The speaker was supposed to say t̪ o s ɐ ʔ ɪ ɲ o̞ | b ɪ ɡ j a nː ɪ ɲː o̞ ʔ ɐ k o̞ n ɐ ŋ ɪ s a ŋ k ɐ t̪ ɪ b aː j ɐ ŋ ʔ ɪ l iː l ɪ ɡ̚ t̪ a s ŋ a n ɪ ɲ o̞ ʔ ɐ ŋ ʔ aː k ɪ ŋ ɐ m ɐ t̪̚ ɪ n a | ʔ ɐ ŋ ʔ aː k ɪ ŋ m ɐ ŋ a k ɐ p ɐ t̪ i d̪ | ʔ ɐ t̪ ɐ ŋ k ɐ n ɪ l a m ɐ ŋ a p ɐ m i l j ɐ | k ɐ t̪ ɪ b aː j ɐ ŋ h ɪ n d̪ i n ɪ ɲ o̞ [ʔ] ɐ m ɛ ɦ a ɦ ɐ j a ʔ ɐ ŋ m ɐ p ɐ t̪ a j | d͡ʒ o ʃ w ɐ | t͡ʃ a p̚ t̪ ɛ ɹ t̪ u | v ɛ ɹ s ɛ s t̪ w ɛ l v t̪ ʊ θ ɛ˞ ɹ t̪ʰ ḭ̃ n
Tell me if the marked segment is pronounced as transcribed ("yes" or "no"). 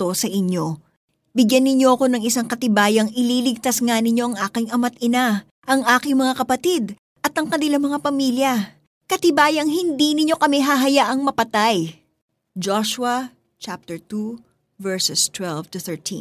no